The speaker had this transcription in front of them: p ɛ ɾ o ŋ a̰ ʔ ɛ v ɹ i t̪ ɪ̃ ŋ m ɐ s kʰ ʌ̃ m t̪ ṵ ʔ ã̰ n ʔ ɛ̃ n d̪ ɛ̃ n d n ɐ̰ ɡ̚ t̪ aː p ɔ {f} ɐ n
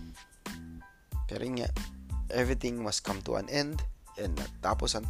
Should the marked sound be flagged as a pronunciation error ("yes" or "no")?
yes